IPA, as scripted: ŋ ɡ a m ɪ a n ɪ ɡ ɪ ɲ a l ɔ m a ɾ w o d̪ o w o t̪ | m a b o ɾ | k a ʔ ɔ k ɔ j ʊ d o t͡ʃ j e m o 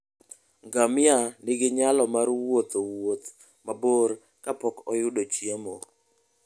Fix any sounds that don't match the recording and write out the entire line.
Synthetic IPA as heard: ŋ ɡ a m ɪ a n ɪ ɡ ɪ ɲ a l ɔ m a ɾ w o t̪ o w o t̪ | m a b o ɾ | k a p ɔ k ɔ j ʊ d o t͡ʃ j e m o